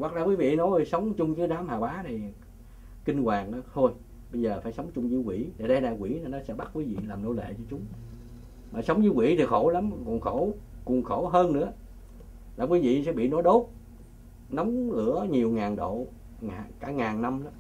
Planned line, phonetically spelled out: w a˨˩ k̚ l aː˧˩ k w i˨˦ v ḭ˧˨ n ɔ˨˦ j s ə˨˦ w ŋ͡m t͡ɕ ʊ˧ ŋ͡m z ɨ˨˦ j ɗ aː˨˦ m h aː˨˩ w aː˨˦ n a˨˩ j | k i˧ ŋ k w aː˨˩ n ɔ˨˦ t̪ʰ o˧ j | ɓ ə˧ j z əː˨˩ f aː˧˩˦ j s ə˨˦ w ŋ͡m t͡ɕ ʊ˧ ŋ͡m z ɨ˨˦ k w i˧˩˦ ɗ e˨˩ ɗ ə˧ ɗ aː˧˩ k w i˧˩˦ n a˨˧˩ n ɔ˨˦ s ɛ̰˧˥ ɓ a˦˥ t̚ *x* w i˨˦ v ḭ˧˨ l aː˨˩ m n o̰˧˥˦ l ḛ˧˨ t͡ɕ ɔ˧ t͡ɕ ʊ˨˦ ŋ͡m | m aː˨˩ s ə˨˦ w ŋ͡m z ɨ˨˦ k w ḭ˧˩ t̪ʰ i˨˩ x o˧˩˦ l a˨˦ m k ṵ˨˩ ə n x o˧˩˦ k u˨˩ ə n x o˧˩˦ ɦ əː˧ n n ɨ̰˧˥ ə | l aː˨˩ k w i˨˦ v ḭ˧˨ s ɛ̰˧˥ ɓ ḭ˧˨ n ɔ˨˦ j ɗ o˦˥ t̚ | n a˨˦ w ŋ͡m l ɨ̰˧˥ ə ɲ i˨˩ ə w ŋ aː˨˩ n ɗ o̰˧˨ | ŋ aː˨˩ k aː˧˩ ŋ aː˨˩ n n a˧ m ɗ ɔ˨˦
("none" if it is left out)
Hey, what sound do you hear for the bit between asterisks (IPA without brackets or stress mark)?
k